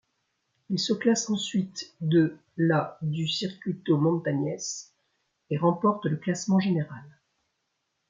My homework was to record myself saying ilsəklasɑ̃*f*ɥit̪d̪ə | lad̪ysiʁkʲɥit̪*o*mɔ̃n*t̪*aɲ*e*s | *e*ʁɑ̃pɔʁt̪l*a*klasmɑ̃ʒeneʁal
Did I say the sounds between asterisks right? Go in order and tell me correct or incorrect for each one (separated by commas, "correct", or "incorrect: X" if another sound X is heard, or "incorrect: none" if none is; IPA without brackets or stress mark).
incorrect: s, correct, correct, incorrect: ɛ, correct, incorrect: ə